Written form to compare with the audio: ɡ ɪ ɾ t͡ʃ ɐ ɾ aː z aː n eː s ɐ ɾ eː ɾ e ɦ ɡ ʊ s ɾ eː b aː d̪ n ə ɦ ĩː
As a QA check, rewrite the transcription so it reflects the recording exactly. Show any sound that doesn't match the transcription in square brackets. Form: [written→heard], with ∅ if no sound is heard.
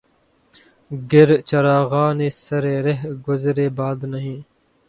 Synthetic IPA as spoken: ɡ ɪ ɾ t͡ʃ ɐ ɾ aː [z→ɣ] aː n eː s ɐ ɾ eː ɾ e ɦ ɡ ʊ [s→z] ɾ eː b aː d̪ n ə ɦ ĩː